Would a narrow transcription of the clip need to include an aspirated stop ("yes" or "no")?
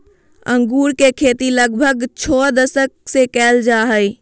yes